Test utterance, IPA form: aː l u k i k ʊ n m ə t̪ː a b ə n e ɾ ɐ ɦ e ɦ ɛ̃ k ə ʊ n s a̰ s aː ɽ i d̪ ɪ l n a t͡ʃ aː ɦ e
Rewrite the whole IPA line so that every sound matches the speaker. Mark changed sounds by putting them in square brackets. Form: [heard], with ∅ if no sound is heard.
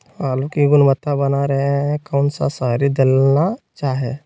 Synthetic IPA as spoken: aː l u k i [ɡ] ʊ n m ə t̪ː a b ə n [a] ɾ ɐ ɦ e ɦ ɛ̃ k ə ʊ n s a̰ s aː [ɾ] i d̪ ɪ l n a t͡ʃ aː ɦ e